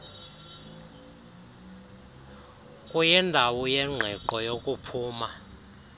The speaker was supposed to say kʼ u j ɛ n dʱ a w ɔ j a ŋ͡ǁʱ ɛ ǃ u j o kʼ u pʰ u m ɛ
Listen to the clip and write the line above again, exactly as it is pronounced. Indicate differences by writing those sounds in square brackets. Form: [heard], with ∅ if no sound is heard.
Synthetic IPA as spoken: kʼ u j ɛ n dʱ a w ɔ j [ɛ] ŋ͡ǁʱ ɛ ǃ [ɔ] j o kʼ u pʰ [uː] m [a]